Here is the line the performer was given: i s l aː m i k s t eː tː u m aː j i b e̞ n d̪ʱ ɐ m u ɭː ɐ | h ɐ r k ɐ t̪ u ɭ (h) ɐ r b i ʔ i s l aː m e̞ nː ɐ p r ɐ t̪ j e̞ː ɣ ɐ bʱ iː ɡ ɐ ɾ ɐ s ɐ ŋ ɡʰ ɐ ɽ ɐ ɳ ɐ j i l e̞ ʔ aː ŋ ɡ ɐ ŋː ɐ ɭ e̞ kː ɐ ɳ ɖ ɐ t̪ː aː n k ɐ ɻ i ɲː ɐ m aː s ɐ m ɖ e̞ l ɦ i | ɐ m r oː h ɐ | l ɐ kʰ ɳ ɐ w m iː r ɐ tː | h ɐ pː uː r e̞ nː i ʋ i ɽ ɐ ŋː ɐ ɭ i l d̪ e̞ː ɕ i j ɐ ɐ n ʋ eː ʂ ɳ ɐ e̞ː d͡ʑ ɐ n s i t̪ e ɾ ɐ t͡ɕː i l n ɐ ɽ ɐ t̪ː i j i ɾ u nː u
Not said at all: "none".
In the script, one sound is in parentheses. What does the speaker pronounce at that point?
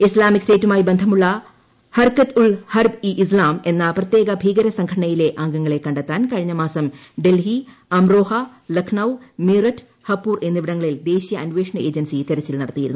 h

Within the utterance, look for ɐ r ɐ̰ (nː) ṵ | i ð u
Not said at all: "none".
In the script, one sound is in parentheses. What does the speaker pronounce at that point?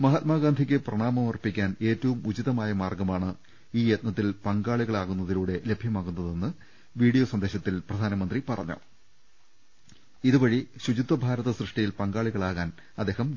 ɲː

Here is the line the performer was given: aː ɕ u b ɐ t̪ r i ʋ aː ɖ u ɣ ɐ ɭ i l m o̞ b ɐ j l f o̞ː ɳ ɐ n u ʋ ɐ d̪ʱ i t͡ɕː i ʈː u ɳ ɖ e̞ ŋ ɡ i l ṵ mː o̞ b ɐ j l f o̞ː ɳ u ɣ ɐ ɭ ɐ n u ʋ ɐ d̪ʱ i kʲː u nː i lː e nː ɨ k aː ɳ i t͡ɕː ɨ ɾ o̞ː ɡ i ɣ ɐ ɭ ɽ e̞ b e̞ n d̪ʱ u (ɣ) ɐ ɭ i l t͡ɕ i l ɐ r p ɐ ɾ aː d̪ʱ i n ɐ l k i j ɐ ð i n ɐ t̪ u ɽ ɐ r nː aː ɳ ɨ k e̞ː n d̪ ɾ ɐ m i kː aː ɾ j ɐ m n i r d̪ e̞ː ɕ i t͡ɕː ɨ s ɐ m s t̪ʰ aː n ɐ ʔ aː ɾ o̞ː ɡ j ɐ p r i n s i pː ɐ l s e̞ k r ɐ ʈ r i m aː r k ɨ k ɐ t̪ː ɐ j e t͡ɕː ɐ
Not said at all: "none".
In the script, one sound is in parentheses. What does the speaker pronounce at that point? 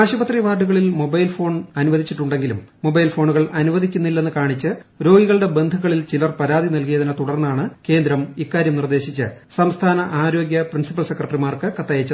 ɣ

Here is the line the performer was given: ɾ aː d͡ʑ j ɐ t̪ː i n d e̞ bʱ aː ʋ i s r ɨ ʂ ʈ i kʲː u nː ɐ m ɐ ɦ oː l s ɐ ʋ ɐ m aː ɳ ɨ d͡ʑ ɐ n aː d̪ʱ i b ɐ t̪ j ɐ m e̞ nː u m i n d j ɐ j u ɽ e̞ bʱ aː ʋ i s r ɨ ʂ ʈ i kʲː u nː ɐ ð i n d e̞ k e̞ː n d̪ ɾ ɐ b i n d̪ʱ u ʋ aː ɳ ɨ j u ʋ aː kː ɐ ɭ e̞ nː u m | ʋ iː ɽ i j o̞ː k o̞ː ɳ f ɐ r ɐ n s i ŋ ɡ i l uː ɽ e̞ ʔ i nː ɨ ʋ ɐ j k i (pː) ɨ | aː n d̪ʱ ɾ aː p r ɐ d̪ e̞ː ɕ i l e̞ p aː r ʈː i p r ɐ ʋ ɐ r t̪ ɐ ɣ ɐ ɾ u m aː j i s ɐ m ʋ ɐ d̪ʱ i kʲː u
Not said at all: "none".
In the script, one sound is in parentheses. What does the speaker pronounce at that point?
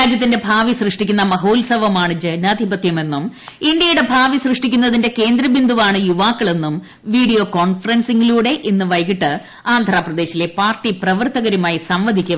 ʈː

